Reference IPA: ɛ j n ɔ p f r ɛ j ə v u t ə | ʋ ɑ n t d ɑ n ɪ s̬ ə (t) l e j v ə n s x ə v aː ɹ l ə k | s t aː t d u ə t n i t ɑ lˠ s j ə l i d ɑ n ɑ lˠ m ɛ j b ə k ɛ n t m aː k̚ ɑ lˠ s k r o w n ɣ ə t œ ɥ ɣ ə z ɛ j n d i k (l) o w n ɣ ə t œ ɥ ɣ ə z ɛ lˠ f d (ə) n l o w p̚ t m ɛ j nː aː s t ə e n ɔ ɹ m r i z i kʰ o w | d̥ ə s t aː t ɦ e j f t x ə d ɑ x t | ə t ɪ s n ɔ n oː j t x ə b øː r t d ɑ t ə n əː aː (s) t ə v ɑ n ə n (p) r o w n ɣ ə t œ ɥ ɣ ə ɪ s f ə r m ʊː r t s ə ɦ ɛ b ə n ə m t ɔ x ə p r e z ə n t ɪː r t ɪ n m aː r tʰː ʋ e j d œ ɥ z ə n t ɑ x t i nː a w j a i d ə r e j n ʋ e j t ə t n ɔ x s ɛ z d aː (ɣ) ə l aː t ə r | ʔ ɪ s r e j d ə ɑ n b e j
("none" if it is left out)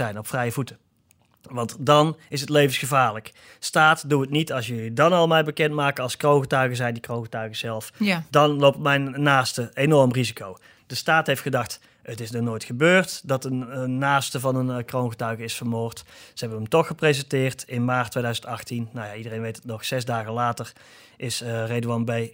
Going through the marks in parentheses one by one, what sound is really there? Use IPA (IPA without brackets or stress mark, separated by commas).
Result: t, r, ɑ, s, k, ɣ